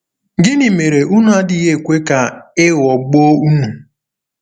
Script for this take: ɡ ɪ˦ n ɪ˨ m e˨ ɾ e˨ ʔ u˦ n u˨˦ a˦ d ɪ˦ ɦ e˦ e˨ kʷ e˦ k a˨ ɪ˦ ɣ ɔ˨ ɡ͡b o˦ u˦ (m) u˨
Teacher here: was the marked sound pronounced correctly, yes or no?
no